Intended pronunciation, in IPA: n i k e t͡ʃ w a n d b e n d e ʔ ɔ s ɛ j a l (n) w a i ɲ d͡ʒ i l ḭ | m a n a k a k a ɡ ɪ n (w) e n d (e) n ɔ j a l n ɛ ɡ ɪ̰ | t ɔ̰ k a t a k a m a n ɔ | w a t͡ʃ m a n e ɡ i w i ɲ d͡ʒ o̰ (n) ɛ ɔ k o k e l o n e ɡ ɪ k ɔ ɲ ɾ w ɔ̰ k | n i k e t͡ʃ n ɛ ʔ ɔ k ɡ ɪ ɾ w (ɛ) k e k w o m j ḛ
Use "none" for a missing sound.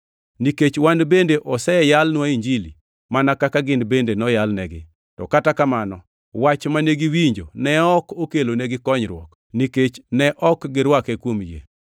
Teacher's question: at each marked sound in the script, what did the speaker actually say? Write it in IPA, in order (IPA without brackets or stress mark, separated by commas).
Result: n, b, e, n, a